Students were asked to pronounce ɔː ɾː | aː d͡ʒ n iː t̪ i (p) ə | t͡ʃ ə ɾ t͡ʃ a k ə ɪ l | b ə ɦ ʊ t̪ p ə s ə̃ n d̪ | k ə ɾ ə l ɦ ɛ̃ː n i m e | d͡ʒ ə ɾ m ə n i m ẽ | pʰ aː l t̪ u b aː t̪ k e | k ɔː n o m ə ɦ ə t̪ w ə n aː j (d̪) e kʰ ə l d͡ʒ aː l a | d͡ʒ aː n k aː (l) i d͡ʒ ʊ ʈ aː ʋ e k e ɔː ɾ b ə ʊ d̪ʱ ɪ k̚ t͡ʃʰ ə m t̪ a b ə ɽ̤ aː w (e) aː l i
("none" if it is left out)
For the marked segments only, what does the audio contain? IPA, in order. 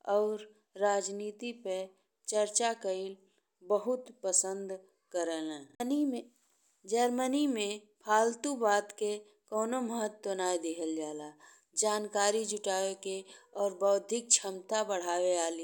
p, d̪, ɾ, e

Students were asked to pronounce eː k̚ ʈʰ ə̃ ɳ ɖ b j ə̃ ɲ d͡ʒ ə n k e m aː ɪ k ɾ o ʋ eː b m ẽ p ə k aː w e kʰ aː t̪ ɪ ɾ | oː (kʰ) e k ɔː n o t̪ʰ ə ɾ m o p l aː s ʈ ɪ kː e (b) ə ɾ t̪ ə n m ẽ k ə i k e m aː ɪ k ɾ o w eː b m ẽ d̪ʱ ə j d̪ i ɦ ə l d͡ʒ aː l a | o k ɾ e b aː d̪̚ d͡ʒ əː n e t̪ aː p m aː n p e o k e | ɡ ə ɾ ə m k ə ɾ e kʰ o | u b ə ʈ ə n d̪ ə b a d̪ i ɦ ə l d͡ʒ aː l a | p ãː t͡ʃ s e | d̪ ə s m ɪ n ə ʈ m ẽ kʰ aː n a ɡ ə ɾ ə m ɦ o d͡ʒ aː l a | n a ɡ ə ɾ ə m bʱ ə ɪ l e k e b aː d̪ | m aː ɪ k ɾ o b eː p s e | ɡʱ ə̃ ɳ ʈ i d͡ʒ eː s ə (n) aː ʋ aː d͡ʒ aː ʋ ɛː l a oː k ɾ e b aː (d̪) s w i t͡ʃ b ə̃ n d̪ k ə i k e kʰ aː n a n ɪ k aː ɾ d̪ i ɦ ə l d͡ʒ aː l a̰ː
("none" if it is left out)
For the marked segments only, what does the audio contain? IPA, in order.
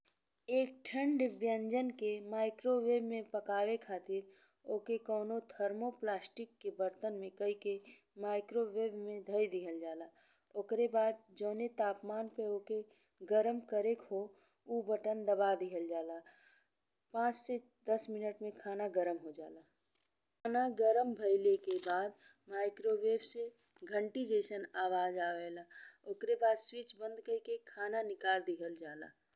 k, b, n, d̪

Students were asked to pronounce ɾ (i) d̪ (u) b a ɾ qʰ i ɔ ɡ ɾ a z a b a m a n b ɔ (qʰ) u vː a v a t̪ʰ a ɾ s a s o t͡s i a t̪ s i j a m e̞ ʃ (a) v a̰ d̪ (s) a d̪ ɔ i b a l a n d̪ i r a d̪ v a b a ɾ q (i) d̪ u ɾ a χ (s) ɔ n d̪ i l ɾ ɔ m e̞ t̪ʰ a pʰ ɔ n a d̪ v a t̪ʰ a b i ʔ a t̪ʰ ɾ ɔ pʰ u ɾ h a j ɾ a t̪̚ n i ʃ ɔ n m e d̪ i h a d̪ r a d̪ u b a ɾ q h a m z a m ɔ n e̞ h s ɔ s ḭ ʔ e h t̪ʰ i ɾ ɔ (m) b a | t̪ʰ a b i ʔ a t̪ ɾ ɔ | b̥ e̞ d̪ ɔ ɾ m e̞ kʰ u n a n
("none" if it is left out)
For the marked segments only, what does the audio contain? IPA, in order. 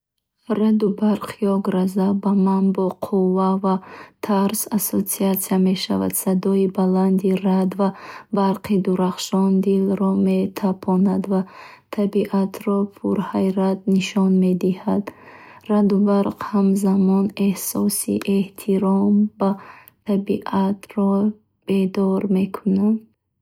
a, u, qʰ, a, s, i, ʃ, m

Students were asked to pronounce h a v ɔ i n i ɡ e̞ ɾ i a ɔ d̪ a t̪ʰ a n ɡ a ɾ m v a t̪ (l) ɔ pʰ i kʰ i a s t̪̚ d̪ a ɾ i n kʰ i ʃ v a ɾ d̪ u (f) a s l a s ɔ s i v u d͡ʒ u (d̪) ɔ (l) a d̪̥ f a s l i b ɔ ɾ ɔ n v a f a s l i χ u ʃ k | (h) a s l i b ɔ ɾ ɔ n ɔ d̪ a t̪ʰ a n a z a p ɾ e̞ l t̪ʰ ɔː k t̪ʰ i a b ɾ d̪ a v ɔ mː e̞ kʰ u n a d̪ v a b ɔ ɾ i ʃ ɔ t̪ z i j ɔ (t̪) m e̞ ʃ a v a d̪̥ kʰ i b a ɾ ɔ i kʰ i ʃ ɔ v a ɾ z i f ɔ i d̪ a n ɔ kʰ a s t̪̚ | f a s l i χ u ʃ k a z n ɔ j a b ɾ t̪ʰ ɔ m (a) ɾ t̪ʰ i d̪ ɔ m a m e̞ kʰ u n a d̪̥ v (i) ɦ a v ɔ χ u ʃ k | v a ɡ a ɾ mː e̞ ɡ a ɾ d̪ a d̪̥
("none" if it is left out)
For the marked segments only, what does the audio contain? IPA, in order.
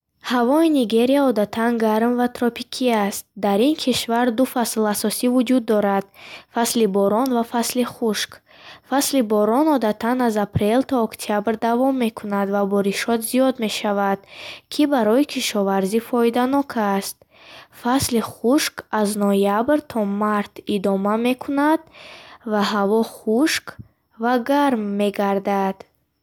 ɾ, f, d̪ː, ɾ, f, d̪, a, a

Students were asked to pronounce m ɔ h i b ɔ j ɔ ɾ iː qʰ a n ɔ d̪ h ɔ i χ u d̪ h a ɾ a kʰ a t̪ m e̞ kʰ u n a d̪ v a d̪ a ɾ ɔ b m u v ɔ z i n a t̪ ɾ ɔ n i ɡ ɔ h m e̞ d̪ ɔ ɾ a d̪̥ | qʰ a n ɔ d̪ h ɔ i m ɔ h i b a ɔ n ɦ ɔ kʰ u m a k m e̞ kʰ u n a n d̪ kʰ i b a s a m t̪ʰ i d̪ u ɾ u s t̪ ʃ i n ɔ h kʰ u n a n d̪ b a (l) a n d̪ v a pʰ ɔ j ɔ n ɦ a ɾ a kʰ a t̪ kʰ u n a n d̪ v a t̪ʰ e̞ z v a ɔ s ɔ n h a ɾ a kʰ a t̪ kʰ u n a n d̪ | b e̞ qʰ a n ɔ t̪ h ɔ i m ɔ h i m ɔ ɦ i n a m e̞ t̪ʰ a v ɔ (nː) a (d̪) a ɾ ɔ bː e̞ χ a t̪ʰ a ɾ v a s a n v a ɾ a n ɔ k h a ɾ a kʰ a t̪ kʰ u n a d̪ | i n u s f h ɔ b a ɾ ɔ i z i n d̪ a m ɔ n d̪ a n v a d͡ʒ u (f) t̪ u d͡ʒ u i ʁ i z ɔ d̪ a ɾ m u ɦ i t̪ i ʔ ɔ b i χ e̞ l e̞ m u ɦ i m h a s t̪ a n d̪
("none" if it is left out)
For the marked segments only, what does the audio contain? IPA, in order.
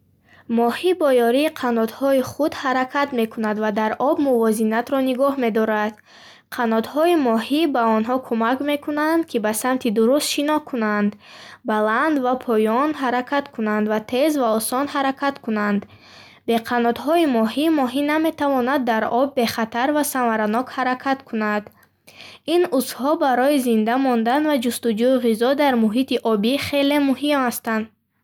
l, n, d̪ː, s

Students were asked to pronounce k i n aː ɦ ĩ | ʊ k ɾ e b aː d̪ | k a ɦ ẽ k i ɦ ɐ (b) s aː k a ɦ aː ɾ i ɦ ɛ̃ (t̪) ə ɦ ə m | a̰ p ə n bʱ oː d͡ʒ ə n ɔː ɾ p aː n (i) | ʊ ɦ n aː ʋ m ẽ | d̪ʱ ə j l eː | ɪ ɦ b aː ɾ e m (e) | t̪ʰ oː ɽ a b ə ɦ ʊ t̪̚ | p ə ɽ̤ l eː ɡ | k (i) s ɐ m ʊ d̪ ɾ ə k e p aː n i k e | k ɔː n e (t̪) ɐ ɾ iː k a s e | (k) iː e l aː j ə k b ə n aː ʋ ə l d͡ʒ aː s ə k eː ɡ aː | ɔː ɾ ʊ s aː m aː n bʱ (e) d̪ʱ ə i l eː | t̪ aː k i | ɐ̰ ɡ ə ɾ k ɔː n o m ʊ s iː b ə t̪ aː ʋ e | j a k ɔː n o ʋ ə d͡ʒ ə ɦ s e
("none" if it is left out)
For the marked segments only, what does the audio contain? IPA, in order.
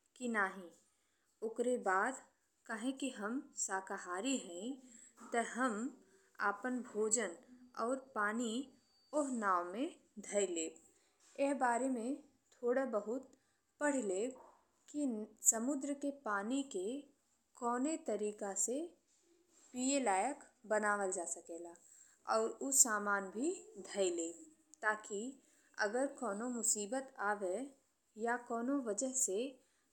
m, t̪, i, ẽ, i, t̪, p, i

